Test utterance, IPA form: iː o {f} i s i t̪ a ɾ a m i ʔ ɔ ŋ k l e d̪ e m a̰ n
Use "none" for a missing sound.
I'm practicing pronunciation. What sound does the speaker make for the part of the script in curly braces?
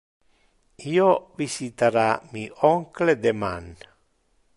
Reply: v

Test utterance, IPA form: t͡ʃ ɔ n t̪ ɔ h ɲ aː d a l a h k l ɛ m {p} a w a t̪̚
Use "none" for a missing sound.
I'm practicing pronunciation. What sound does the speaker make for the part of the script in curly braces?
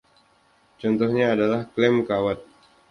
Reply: k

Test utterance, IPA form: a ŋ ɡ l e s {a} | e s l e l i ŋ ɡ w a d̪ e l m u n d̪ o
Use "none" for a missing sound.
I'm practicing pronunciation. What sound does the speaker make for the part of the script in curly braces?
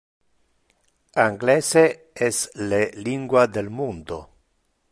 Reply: e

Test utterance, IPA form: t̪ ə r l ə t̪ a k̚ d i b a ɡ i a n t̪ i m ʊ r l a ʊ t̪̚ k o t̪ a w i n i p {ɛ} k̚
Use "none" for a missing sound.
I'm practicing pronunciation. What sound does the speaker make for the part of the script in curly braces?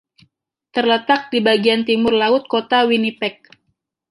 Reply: ɛ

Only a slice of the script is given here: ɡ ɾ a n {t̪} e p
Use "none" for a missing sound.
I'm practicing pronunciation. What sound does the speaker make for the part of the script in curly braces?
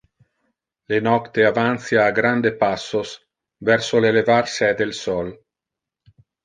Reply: d̪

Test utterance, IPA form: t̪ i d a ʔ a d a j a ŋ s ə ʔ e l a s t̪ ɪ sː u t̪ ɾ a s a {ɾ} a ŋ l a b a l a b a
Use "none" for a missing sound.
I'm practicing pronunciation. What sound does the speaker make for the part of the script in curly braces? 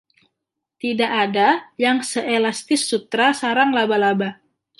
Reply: ɾ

